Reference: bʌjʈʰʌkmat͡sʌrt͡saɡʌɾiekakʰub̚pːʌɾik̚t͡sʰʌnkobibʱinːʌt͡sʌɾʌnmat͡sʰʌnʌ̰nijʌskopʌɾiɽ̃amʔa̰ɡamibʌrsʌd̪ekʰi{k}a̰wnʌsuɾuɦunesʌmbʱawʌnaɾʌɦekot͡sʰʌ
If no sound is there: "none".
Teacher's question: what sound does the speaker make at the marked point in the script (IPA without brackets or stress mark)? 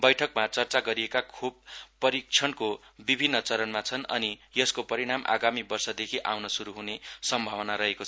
ʔ